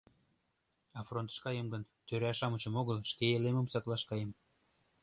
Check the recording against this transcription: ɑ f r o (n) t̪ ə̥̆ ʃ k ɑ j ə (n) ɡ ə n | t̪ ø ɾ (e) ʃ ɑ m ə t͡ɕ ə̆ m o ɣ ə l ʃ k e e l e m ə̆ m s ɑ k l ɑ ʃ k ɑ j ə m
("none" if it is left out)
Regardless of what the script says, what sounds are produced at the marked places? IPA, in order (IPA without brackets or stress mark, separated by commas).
n, m, æ